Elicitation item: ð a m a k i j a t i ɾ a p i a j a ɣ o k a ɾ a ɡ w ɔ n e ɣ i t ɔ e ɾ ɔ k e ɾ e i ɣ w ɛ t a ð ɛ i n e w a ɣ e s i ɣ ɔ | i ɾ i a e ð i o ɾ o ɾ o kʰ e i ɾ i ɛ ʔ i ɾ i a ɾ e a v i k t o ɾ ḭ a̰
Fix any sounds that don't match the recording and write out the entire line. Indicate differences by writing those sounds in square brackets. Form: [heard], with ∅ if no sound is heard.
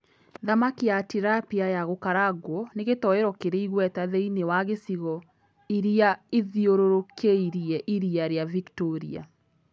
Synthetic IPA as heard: ð a m a k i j a t i ɾ a p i a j a ɣ o k a ɾ a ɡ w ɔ n e ɣ [e] t ɔ e ɾ ɔ k e ɾ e i ɣ w ɛ t a ð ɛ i n e w a ɣ e s i ɣ ɔ | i ɾ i a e ð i o ɾ o ɾ o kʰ e i ɾ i ɛ ʔ i ɾ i a ɾ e a v i k t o ɾ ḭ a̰